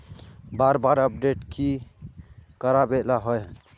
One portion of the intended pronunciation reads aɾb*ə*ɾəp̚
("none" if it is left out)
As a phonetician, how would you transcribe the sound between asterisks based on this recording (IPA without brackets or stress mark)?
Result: a